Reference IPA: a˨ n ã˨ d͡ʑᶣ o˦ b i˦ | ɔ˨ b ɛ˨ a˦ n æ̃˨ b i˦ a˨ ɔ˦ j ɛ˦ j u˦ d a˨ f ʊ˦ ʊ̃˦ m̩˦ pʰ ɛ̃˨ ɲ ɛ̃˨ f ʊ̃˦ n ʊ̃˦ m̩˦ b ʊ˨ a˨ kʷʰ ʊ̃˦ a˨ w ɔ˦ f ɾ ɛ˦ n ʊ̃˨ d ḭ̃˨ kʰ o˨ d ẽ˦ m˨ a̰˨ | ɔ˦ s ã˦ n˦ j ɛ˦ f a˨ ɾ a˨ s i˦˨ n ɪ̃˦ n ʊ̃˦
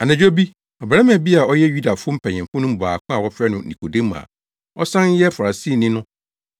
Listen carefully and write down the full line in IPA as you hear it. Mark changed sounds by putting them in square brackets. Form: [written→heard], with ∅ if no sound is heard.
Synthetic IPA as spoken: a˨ n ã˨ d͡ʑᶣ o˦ b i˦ | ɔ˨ b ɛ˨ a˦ [n→m] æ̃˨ b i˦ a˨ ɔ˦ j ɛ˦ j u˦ d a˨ f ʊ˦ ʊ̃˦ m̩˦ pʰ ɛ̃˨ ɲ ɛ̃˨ f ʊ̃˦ n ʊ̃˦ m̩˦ b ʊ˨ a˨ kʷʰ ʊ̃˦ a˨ w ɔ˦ f ɾ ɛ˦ n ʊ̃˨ [d→n] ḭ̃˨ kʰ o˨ d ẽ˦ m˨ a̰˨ | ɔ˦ s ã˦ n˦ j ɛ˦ f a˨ ɾ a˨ s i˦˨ n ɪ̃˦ n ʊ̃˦

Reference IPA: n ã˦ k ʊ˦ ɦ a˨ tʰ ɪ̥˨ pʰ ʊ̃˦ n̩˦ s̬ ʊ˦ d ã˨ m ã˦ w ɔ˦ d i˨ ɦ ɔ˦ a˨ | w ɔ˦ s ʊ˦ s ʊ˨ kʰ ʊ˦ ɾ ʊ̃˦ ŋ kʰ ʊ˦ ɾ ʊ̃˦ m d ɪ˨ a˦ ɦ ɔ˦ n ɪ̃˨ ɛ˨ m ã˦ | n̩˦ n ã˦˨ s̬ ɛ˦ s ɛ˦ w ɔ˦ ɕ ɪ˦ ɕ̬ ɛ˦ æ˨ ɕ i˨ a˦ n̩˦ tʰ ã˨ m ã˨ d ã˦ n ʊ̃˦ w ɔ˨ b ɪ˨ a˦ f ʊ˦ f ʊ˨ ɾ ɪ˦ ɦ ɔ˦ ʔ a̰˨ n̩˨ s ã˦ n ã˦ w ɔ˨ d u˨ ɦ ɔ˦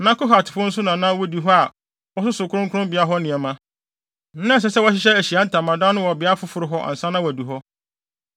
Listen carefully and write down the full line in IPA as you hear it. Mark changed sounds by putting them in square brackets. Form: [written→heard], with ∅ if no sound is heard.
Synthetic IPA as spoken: n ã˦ k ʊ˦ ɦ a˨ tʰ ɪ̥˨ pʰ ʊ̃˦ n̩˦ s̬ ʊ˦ [d→n] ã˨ [m→n] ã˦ w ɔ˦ d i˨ ɦ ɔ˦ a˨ | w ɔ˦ s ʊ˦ s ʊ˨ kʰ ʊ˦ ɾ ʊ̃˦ ŋ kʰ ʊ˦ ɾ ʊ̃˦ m [d→b] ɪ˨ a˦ ɦ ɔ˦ n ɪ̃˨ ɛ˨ m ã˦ | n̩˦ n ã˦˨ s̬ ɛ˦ s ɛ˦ w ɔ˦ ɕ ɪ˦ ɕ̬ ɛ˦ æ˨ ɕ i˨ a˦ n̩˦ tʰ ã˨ m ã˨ d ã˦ n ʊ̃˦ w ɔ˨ b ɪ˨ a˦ f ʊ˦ f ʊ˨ ɾ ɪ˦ ɦ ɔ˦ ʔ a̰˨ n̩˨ s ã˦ n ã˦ w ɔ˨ d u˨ ɦ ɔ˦

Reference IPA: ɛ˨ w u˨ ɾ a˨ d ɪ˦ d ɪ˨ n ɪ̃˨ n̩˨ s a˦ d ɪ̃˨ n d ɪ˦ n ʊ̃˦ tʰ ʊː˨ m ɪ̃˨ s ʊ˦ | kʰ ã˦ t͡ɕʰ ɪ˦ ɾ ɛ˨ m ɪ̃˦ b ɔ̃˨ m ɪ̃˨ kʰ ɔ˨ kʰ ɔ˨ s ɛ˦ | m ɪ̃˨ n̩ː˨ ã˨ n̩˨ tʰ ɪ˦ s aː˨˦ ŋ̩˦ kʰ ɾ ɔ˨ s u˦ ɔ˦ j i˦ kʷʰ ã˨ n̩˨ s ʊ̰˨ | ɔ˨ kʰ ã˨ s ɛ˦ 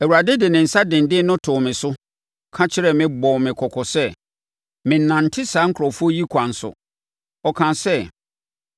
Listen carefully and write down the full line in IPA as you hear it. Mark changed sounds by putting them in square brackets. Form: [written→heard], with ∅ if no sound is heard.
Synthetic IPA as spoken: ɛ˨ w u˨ ɾ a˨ d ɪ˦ d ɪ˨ n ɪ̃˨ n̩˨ s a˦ d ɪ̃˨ n d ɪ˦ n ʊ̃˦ tʰ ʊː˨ m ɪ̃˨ s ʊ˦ | kʰ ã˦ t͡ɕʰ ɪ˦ ɾ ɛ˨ m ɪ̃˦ b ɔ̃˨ m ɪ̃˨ kʰ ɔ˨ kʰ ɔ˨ s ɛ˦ | m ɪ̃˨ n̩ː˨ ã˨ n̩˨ tʰ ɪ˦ s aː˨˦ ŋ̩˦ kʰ ɾ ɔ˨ [s→f] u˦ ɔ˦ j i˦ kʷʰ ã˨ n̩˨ s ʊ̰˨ | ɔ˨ kʰ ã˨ s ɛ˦

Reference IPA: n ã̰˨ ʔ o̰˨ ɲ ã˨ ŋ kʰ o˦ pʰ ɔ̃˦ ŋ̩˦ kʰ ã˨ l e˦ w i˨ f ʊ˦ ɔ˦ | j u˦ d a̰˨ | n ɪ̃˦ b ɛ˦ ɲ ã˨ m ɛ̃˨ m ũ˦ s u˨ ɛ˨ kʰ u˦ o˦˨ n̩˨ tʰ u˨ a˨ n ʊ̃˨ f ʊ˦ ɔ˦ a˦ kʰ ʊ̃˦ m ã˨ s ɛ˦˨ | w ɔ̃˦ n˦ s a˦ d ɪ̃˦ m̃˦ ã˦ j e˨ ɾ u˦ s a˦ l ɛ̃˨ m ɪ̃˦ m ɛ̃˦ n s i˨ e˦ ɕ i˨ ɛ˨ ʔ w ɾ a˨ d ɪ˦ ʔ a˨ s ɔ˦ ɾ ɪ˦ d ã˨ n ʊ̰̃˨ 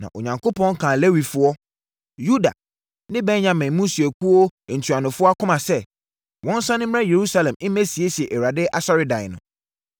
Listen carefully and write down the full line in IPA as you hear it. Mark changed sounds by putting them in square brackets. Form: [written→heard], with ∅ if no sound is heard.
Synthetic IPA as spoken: n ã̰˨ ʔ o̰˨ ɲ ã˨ ŋ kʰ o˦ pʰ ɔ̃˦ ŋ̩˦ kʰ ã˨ l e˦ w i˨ f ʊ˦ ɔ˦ | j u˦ d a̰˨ | n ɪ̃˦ b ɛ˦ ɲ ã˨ m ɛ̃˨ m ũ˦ s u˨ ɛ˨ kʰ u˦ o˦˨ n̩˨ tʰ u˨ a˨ n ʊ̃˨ f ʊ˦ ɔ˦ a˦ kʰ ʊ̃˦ m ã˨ s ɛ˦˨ | w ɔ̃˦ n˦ s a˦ [d→n] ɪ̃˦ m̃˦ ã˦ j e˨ ɾ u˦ s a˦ l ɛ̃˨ m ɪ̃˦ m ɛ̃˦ [n→∅] s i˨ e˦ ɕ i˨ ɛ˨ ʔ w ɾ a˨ d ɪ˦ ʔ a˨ s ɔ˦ ɾ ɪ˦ d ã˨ n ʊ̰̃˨

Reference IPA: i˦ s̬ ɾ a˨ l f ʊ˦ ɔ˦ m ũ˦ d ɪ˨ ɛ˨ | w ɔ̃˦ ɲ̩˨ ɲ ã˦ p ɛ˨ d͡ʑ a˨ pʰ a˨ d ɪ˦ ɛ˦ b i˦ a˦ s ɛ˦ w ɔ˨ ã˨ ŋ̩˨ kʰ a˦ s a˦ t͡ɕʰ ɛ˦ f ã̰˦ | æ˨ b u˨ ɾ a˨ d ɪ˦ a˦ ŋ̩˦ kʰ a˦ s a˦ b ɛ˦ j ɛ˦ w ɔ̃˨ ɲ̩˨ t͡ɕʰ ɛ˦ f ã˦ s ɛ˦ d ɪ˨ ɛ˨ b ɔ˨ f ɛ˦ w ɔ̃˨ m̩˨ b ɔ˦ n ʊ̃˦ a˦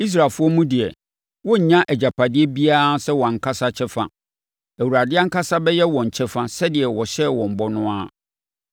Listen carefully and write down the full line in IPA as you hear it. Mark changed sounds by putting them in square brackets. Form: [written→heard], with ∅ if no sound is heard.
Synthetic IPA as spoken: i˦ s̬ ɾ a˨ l f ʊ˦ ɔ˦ m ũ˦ d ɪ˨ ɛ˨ | w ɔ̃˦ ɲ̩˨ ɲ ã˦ [p→ʔ] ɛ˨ d͡ʑ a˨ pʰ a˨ d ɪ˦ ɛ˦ b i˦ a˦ s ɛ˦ w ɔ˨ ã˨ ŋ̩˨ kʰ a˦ s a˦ t͡ɕʰ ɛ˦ f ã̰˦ | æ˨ [b→w] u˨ ɾ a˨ d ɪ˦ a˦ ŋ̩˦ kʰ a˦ s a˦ b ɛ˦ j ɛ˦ w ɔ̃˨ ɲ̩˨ t͡ɕʰ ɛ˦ f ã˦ s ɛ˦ d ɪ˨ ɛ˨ [b→w] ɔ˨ [f→ɕ] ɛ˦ w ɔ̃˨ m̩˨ b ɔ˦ n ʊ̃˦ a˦

